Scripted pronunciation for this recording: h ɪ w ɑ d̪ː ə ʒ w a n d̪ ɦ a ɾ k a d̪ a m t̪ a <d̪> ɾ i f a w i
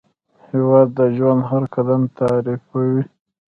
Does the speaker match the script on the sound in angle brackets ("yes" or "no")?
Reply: no